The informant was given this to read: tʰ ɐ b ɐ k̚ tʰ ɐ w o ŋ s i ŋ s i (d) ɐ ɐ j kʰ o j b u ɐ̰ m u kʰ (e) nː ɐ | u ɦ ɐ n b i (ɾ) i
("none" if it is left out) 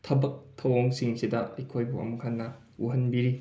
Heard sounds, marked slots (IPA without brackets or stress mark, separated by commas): d, a, ɾ